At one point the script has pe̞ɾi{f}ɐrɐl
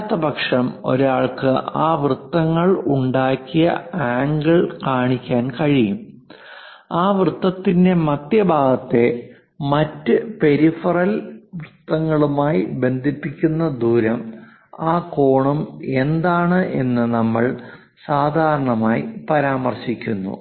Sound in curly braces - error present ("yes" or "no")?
no